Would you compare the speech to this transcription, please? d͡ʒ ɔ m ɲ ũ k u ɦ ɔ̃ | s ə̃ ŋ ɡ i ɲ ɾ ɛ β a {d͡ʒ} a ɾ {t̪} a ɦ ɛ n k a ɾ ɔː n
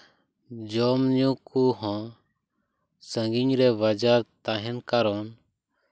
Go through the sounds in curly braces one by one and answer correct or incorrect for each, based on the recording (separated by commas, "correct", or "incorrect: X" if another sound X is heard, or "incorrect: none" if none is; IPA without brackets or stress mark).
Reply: correct, correct